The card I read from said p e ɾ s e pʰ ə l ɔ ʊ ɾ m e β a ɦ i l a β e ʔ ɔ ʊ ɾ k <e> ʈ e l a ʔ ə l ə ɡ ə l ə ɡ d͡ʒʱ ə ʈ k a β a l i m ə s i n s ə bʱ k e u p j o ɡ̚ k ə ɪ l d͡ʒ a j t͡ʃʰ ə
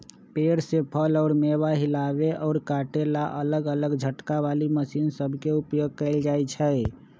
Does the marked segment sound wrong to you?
yes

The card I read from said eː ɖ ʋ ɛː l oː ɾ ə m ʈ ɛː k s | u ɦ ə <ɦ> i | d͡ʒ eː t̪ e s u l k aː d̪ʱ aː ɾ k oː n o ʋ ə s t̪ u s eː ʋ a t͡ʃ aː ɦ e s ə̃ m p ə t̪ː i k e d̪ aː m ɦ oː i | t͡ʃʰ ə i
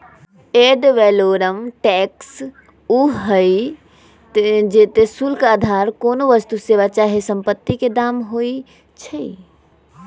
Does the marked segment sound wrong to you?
yes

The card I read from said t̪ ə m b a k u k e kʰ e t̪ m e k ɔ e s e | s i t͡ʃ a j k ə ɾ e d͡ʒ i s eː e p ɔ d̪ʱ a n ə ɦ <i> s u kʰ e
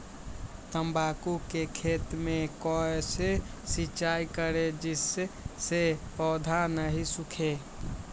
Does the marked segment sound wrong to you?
no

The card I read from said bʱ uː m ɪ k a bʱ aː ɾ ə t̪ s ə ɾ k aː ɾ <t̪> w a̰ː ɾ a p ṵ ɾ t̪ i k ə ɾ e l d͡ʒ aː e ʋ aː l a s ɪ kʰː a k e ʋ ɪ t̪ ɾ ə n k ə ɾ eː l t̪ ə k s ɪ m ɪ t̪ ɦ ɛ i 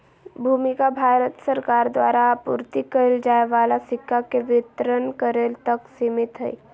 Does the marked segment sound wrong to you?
yes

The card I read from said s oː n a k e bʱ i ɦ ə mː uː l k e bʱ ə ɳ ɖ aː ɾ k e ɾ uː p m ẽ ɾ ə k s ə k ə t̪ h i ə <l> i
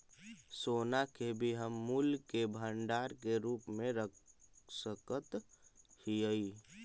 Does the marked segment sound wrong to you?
yes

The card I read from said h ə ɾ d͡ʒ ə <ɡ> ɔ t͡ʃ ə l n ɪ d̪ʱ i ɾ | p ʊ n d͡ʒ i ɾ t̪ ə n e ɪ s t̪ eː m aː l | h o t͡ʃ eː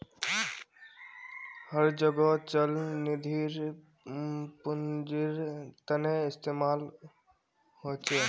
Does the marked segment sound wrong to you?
no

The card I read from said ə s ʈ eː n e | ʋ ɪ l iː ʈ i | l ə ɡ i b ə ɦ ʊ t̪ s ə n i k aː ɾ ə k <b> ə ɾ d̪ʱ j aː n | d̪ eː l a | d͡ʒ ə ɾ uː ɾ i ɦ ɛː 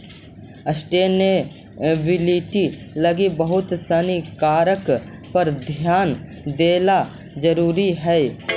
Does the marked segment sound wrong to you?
yes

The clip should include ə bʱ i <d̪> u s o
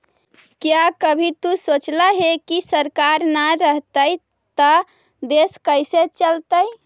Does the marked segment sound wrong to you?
yes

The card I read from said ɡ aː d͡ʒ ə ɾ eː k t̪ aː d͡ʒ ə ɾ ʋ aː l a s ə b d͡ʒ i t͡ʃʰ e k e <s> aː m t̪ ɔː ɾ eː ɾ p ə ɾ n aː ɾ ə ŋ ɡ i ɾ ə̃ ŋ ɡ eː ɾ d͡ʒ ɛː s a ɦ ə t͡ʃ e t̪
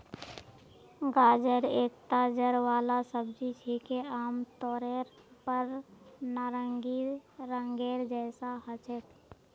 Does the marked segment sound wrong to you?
yes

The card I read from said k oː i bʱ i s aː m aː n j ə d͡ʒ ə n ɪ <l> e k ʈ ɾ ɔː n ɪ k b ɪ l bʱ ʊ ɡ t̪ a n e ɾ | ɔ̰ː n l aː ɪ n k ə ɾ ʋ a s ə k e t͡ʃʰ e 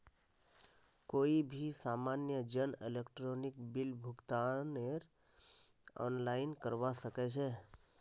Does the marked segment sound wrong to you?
no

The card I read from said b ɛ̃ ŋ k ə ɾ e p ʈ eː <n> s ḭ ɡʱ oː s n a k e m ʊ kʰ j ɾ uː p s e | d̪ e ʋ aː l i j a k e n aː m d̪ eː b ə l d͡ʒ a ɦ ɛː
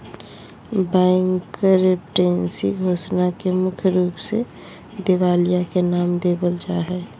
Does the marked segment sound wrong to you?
no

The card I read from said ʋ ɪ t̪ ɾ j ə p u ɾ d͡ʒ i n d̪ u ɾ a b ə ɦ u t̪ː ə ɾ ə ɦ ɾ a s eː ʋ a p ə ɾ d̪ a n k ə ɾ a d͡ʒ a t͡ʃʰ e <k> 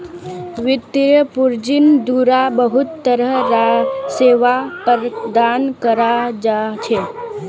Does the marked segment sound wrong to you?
yes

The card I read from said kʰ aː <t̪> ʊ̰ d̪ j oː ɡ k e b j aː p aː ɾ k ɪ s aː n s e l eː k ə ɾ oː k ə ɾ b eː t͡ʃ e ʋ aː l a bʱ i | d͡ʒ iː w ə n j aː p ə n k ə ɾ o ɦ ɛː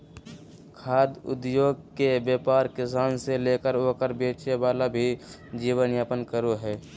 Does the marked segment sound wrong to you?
yes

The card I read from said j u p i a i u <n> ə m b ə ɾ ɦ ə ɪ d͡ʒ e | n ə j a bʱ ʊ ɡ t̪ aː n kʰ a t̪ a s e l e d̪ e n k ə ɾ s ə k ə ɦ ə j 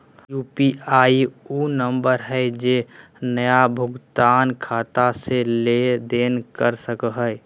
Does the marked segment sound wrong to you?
no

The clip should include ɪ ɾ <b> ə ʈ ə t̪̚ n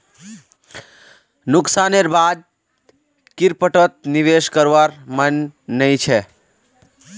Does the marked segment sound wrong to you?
yes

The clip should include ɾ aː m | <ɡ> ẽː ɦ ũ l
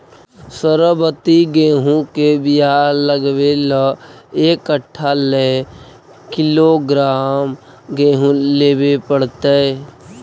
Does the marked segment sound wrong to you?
no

